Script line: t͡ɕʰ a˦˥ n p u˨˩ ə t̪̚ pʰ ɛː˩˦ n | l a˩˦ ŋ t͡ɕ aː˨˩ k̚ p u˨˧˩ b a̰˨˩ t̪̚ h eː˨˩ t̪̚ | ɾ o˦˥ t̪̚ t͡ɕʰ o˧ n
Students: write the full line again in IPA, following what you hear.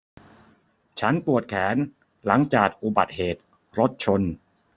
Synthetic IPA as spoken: t͡ɕʰ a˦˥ n p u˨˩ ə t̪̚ kʰ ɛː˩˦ n | l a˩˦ ŋ t͡ɕ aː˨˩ k̚ ʔ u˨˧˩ b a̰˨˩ t̪̚ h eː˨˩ t̪̚ | ɾ o˦˥ t̪̚ t͡ɕʰ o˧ n